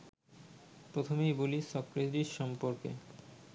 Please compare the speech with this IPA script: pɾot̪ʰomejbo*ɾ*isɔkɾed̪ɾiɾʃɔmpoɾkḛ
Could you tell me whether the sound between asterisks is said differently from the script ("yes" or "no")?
yes